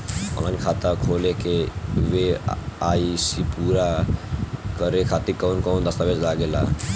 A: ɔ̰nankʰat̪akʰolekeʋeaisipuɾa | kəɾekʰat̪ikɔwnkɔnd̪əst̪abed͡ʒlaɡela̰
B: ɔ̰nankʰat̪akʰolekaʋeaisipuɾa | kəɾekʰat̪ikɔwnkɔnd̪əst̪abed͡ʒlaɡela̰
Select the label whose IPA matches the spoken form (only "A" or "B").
A